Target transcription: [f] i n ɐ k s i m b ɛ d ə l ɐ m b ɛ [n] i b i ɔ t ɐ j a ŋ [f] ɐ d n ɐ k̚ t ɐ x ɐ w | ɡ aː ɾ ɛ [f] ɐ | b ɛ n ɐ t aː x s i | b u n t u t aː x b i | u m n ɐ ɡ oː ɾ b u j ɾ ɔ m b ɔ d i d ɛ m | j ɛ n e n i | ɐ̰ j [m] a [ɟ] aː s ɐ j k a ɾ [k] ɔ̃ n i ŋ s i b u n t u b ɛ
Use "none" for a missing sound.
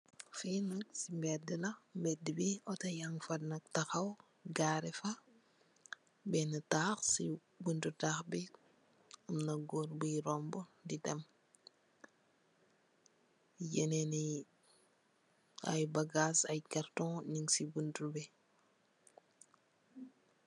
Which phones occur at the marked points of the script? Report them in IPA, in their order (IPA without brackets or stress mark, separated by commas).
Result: f, d, f, f, b, ɡ, t